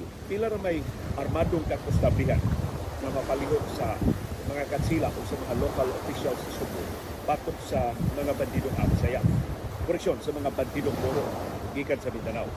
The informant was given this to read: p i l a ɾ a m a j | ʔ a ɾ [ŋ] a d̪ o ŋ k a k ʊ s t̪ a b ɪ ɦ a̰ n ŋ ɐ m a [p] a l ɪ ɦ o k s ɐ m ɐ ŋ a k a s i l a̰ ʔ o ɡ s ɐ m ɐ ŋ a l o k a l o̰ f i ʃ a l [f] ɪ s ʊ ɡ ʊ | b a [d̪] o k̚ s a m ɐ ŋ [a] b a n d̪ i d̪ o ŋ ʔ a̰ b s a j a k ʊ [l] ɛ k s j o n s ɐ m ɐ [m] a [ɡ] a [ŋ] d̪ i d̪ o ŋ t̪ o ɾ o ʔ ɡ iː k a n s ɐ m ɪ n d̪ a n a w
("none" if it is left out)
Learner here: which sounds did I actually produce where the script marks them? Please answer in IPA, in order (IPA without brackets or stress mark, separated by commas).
m, p, s, t̪, a, ɾ, ŋ, b, n